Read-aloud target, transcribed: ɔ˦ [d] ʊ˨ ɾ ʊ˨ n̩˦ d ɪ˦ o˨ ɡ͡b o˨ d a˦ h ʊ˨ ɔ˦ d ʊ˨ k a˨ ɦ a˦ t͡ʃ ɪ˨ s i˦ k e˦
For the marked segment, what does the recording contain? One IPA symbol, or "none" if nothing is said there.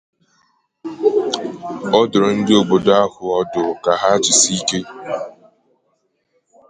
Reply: d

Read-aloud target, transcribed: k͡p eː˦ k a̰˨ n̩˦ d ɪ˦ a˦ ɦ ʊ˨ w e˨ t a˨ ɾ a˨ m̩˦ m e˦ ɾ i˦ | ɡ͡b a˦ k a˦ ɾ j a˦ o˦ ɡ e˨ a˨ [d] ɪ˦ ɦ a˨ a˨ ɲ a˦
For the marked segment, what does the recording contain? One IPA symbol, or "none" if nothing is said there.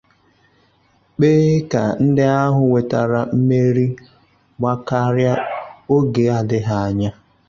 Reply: d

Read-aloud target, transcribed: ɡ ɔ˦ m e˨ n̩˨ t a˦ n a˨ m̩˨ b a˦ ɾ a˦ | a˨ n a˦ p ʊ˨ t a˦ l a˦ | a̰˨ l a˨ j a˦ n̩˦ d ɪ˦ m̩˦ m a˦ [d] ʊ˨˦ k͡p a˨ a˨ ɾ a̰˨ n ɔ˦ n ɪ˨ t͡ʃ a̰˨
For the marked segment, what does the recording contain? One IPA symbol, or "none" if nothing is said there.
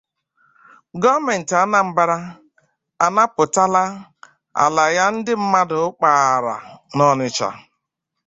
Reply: d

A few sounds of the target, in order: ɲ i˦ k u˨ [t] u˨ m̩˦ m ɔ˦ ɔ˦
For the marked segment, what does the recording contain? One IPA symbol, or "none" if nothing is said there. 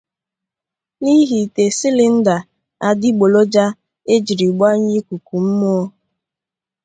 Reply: k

